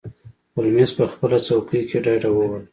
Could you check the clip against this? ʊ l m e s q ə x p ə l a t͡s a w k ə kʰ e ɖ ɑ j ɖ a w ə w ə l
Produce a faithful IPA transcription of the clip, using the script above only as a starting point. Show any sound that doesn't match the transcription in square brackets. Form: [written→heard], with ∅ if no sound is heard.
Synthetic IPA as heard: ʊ l m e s [q→p] ə x p ə l a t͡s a w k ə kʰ e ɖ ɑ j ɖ a w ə w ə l

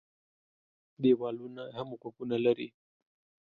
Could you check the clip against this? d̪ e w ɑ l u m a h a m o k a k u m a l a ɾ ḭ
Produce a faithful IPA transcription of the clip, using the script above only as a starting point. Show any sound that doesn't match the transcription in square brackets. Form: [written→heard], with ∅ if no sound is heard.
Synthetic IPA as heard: d̪ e w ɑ l u [m→n] a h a m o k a k u [m→n] a l a ɾ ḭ

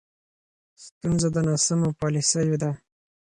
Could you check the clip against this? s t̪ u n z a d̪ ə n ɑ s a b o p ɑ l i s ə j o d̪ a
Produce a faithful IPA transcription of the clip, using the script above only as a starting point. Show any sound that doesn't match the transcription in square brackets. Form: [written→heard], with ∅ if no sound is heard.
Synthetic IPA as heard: s t̪ u n z a d̪ ə n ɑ s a [b→m] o p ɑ l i s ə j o d̪ a

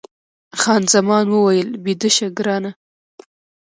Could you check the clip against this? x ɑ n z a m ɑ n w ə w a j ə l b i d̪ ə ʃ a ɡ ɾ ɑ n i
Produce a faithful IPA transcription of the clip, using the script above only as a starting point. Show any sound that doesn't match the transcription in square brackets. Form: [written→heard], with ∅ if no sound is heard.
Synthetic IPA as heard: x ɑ n z a m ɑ n w ə w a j ə l b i d̪ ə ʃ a ɡ ɾ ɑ n [i→a]

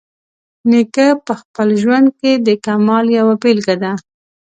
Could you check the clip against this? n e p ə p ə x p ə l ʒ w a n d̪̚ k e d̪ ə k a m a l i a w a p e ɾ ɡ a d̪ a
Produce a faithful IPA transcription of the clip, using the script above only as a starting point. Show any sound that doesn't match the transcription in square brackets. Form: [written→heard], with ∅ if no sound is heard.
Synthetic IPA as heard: n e [p→k] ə p ə x p ə l ʒ w a n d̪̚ k e d̪ ə k a m [a→ɑ] l [i→j] a w a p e [ɾ→l] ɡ a d̪ a

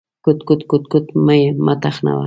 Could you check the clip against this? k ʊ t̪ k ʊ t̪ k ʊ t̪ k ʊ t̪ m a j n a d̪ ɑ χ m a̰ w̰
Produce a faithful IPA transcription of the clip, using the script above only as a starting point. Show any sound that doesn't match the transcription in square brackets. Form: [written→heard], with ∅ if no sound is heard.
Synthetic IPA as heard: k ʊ t̪ k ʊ t̪ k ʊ t̪ k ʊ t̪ m a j [n→m] a [d̪→t̪] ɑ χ [m→n] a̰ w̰

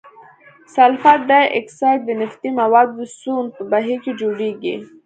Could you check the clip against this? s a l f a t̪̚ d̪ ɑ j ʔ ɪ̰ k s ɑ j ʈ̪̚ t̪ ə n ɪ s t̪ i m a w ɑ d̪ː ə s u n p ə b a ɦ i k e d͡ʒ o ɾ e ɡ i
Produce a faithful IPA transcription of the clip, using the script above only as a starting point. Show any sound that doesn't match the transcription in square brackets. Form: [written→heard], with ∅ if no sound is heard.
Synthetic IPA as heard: s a l f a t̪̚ d̪ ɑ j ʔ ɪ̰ k s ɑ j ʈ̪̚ [t̪→d̪] ə n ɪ [s→f] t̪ i m a w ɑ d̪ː ə s u n p ə b a ɦ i k e d͡ʒ o [ɾ→ɽ] e ɡ i

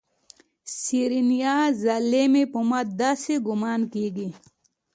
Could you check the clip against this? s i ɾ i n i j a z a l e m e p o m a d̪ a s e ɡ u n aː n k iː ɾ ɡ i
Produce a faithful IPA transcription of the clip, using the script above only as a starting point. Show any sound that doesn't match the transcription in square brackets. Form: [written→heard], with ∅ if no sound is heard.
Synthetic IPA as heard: s i ɾ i n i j a z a l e m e p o m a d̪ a s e ɡ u [n→m] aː n k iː [ɾ→∅] ɡ i

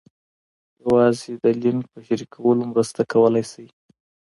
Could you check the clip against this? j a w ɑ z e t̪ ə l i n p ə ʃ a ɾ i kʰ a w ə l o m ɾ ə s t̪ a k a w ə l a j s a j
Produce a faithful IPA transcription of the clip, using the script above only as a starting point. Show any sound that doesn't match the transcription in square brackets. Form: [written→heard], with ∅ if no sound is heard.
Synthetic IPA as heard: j a w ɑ z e [t̪→d̪] ə l i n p ə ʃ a ɾ i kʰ a w ə l o m ɾ ə s t̪ a k a w ə l a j s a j

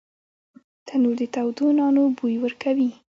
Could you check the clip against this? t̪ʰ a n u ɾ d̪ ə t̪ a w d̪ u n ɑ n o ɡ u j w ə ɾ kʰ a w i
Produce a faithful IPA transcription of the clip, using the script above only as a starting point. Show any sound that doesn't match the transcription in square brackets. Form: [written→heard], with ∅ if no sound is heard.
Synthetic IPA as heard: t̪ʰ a n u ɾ d̪ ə t̪ a w d̪ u n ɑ n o [ɡ→b] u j w ə ɾ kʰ a w i

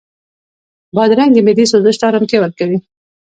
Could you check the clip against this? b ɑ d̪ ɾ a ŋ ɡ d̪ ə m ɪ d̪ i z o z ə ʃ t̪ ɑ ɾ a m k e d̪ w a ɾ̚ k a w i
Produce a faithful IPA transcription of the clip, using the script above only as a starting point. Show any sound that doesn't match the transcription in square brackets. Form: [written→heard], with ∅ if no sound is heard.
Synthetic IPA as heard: b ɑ d̪ ɾ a ŋ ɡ d̪ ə m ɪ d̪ i [z→s] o z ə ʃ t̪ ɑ ɾ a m k e [d̪→∅] w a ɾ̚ k a w i

